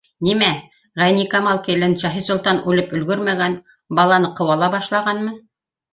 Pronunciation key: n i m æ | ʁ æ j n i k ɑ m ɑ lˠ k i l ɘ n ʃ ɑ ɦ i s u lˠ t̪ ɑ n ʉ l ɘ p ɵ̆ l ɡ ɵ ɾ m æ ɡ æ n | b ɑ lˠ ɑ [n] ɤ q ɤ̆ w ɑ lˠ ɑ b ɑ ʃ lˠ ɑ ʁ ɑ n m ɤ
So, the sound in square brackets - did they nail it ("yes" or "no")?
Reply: yes